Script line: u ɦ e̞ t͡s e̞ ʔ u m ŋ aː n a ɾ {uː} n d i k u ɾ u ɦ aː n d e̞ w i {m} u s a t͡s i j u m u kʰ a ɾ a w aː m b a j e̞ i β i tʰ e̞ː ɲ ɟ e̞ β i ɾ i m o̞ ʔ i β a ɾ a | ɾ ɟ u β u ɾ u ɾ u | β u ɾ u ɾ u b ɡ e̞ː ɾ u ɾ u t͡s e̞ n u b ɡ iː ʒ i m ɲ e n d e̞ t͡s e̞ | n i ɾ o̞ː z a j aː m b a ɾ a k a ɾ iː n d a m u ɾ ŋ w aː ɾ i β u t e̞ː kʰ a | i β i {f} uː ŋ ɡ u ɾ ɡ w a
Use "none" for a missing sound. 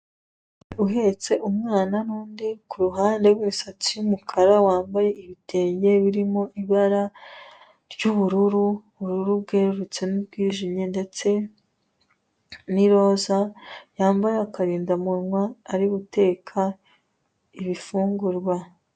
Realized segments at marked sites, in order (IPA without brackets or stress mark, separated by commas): uː, m, f